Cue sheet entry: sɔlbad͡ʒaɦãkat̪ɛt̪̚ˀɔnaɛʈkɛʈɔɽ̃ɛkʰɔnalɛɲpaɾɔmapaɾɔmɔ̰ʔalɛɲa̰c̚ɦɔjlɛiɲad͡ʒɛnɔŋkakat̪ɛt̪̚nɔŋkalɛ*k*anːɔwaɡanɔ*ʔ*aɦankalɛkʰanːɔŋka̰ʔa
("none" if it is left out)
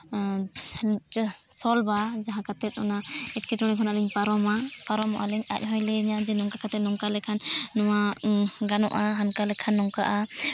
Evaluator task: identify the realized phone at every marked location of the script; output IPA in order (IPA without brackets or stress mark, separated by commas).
kʰ, ʔ